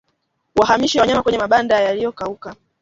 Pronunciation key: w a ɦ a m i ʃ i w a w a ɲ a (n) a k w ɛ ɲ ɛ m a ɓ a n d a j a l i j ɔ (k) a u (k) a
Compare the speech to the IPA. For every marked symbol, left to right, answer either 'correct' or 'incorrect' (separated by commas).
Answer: incorrect, correct, correct